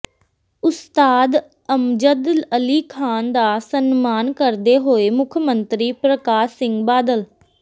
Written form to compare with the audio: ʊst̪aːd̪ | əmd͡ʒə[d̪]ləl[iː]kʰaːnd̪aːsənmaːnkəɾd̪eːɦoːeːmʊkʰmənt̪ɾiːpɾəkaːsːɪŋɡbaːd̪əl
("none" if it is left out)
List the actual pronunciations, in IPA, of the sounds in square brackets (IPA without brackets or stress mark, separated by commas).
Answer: d̪, iː